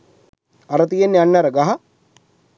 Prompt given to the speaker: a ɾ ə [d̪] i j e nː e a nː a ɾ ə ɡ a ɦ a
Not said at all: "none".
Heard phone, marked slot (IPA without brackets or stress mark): t̪